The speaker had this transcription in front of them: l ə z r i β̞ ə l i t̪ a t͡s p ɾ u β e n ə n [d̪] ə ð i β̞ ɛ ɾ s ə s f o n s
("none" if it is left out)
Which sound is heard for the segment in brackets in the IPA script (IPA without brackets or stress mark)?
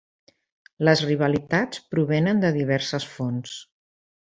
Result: d̪